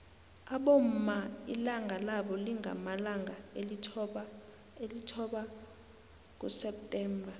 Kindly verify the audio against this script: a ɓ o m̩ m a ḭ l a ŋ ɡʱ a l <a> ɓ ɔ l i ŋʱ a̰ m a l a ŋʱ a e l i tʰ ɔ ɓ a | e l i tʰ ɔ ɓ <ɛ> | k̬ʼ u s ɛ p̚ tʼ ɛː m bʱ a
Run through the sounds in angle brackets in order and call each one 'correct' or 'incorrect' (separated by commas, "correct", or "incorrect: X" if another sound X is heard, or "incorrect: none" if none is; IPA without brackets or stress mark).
correct, incorrect: a